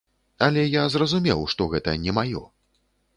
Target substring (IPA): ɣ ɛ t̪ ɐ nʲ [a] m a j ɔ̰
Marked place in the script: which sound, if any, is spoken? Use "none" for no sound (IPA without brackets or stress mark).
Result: ɛ